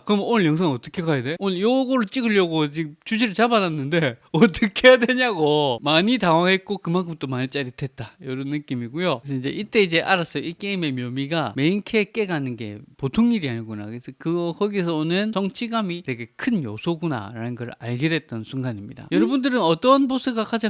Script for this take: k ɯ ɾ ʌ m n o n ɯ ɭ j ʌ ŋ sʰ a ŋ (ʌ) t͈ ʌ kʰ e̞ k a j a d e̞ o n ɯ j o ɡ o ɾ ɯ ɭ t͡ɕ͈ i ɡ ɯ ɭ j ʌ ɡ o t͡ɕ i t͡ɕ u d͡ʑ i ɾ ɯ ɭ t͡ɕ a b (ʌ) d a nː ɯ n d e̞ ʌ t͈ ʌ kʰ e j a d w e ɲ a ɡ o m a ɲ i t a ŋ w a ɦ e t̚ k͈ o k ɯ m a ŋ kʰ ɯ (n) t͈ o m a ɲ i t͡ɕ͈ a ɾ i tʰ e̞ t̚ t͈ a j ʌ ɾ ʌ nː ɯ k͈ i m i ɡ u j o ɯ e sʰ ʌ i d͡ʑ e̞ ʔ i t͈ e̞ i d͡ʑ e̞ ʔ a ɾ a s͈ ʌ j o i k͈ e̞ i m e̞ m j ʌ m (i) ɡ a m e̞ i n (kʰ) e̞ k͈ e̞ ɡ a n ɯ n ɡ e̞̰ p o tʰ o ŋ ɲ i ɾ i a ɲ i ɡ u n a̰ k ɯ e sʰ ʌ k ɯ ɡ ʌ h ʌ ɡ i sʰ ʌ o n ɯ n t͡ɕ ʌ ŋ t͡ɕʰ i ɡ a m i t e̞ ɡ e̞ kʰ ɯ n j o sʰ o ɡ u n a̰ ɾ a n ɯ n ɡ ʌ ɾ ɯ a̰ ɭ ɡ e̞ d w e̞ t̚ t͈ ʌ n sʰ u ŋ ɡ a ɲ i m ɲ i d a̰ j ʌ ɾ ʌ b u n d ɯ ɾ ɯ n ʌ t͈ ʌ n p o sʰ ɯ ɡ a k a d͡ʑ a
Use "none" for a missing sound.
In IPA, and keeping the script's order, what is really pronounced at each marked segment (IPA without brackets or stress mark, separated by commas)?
ʌ, a, m, i, kʰ